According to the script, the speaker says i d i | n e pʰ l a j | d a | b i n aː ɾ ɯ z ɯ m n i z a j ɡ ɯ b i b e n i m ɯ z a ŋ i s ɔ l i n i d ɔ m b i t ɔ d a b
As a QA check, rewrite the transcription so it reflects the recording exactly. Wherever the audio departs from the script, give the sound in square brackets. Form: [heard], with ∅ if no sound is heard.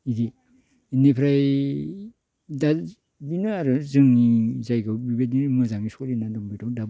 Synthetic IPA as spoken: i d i | n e pʰ [ɾ] a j | d a | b i n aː ɾ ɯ z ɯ [ŋ] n i z a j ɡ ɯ b i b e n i m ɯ z a ŋ i s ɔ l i n [a] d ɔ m b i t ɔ d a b